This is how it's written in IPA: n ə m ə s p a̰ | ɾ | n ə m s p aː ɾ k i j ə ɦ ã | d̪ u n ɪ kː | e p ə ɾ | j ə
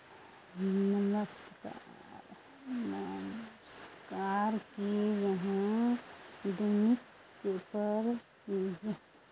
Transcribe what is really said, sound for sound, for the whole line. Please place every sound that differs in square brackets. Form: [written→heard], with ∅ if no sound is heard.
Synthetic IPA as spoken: n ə m ə s [p→k] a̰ | ɾ | n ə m s [p→k] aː ɾ k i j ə ɦ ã | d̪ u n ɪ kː | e p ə ɾ | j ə